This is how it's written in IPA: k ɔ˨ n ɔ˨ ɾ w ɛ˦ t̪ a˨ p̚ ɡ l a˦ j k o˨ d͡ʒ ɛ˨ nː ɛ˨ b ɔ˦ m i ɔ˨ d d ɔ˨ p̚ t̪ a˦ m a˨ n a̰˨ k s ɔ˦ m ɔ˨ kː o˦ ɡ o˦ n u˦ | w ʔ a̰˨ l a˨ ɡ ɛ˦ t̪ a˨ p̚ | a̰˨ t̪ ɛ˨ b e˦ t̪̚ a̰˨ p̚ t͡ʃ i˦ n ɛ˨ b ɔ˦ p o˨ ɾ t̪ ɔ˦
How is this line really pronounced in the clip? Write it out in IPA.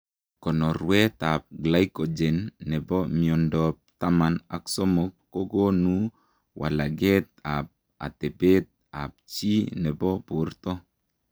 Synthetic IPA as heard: k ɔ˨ n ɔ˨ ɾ w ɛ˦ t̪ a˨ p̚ ɡ l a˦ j k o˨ d͡ʒ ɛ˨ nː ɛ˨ b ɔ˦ m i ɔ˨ n d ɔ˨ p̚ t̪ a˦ m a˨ n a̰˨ k s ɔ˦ m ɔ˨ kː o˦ ɡ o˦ n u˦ | w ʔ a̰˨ l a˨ ɡ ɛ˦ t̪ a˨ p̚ | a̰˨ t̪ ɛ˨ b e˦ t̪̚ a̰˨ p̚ t͡ʃ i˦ n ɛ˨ b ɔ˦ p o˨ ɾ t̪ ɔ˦